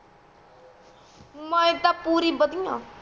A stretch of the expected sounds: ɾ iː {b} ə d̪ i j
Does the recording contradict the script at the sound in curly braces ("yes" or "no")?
no